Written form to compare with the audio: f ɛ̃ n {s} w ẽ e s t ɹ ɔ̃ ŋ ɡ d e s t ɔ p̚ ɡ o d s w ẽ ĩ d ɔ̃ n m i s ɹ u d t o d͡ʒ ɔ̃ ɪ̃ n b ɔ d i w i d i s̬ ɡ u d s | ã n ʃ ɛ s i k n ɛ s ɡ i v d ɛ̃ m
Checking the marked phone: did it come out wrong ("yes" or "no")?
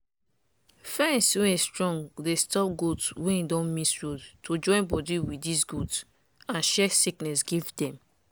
no